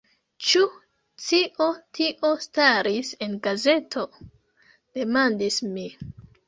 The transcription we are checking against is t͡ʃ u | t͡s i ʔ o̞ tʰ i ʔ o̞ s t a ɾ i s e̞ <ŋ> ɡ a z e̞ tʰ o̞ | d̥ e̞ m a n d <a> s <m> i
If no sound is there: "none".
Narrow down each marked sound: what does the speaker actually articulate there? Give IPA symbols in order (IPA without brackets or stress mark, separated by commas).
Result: n, i, m